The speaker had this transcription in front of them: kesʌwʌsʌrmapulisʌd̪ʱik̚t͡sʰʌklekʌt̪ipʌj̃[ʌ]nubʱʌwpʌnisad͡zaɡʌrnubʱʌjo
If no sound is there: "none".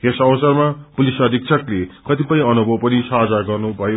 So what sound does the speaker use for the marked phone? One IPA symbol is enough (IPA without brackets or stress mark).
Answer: ʌ